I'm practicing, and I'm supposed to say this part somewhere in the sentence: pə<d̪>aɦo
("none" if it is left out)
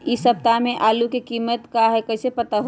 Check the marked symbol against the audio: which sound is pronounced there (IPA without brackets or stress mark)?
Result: t̪